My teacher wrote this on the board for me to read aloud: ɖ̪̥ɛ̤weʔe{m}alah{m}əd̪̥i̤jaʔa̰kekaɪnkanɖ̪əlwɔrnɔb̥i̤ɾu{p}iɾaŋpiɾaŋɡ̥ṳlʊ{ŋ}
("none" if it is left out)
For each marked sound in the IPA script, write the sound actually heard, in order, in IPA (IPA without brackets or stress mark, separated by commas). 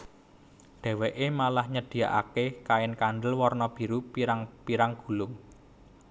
m, ɲ, p, ŋ